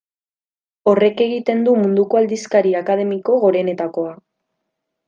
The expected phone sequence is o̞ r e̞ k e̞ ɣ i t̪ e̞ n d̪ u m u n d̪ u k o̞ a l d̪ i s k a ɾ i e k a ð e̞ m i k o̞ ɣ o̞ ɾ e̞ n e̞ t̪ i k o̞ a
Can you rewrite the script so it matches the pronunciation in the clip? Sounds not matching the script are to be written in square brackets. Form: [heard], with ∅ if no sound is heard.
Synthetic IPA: o̞ r e̞ k e̞ ɣ i t̪ e̞ n d̪ u m u n d̪ u k o̞ a l d̪ i s k a ɾ i [a] k a ð e̞ m i k o̞ ɣ o̞ ɾ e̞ n e̞ t̪ [a] k o̞ a